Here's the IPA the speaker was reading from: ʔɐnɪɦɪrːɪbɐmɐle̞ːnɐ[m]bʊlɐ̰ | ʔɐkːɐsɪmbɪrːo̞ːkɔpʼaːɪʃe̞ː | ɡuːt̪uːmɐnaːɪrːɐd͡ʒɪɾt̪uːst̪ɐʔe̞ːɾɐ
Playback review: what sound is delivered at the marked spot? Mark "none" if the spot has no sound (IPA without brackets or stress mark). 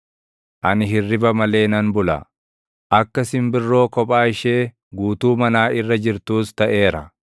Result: n